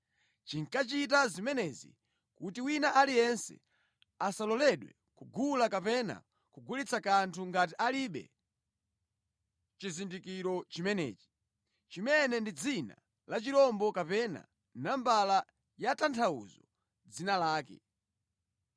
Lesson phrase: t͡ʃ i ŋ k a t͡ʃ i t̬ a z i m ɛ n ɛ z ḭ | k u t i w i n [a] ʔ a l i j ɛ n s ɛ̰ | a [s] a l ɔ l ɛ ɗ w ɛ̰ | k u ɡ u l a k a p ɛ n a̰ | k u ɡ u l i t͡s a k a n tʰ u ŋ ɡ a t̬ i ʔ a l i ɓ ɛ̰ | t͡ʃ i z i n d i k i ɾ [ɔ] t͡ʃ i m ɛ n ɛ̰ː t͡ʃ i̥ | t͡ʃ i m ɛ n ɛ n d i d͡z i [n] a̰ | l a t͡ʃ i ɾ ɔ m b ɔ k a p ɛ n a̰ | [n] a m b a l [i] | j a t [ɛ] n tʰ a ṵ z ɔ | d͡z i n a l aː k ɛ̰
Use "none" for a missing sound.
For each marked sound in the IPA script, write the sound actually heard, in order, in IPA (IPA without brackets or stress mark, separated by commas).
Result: a, s, ɔ, n, n, a, a